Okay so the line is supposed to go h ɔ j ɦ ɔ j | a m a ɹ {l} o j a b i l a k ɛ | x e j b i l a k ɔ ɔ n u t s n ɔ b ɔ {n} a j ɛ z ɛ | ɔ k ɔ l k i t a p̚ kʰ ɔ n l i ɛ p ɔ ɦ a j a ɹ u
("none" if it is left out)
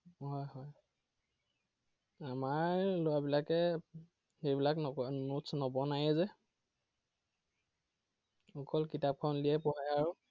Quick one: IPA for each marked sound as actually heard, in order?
l, n

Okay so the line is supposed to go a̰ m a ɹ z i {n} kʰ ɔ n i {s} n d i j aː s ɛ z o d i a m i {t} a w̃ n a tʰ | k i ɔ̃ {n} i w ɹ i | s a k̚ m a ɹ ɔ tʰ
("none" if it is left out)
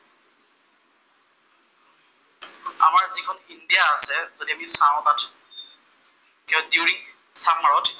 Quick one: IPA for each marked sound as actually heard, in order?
none, none, s, d

